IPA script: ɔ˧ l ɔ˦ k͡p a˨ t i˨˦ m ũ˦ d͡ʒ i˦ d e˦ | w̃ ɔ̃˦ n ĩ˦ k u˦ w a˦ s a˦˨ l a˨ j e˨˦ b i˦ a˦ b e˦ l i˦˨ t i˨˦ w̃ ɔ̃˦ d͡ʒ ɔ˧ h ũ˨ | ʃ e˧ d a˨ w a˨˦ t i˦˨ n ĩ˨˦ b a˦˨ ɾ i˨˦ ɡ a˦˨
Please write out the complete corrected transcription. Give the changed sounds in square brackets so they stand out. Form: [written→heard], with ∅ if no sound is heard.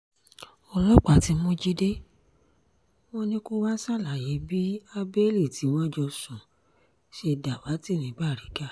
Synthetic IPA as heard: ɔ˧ l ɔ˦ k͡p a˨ t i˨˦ m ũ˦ d͡ʒ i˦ d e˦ | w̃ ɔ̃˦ n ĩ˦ k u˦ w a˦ s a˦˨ l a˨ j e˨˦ b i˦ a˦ b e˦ l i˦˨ t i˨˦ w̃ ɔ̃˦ d͡ʒ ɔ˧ [h→s] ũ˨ | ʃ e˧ d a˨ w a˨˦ t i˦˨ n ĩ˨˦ b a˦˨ ɾ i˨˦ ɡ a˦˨

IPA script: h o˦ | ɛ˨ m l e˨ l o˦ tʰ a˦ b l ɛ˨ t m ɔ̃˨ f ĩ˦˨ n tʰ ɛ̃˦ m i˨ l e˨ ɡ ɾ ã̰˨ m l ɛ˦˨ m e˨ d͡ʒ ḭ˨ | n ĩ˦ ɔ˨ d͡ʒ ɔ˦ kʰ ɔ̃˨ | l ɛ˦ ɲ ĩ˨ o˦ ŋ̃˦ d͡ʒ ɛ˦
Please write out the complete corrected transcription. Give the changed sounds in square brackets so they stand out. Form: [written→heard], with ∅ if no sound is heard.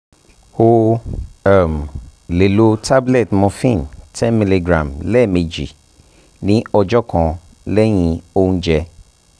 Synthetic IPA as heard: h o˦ | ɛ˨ m l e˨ l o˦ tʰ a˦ b l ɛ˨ t m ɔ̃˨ f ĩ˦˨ n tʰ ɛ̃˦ m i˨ l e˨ ɡ ɾ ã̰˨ m l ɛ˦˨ m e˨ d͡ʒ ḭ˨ | n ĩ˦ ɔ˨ d͡ʒ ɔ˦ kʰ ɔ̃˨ | l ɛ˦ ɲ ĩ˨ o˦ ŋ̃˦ d͡ʒ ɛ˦

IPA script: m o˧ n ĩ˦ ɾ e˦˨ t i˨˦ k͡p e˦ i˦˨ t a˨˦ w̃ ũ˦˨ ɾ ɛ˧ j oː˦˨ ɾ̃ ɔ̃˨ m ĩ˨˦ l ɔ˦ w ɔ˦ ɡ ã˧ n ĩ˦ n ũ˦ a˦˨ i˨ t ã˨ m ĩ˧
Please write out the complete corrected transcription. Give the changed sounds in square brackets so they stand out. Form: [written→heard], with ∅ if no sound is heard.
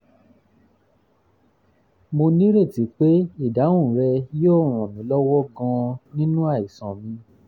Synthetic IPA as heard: m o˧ n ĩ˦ ɾ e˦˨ t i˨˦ k͡p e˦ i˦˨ [t→d] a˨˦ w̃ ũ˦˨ ɾ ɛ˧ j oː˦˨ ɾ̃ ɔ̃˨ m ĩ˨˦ l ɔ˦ w ɔ˦ ɡ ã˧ n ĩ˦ n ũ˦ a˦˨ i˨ [t→s] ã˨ m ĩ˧

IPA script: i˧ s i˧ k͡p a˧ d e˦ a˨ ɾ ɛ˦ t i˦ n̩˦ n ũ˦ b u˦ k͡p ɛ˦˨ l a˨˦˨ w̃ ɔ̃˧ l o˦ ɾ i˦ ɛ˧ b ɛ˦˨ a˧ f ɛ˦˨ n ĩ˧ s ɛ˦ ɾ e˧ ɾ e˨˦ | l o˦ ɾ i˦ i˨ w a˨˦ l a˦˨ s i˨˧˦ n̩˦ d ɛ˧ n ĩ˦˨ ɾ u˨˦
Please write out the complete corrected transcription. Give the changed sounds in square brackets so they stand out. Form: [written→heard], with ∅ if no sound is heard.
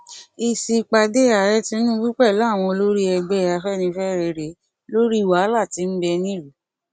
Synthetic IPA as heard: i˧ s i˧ k͡p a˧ d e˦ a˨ ɾ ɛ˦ t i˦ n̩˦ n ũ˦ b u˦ k͡p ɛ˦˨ l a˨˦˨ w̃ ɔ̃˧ l o˦ ɾ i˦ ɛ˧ [b→ɡ͡b] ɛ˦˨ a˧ f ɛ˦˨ n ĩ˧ [s→f] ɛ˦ ɾ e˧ ɾ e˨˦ | l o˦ ɾ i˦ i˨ w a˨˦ l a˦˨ [s→t] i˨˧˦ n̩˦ [d→b] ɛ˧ n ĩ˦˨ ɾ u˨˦

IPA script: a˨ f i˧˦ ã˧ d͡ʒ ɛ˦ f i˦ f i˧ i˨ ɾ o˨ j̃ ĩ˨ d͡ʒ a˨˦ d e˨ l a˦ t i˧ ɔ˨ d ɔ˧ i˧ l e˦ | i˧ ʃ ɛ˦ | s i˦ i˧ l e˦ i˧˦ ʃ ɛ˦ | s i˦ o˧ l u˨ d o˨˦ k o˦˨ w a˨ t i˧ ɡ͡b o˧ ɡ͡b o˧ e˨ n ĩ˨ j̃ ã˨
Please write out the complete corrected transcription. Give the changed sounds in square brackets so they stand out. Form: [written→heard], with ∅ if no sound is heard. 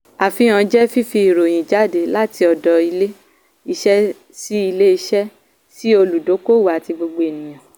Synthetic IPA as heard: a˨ f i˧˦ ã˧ d͡ʒ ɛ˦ f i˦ f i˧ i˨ ɾ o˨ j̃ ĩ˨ d͡ʒ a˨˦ d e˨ l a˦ t i˧ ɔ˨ d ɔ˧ i˧ l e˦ | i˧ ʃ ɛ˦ | s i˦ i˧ l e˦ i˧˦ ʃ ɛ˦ | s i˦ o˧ l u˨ d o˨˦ k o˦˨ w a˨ t i˧ ɡ͡b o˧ ɡ͡b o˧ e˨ n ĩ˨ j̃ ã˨

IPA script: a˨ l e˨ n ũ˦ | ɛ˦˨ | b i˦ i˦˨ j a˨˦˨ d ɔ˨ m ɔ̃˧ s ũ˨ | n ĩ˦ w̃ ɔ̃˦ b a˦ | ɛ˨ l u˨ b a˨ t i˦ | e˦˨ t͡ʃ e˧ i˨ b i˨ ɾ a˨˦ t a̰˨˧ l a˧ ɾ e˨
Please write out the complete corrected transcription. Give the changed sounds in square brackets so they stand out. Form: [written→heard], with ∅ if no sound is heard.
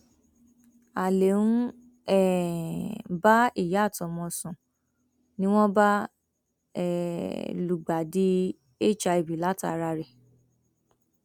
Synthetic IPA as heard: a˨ l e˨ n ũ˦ | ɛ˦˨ | b [i˦→a˦] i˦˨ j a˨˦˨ [d→t] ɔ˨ m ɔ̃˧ s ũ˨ | n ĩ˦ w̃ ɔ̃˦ b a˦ | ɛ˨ l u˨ [b→ɡ͡b] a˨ [t→d] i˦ | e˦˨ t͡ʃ [e˧→a˧] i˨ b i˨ [ɾ→l] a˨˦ t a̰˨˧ [l→ɾ] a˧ ɾ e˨

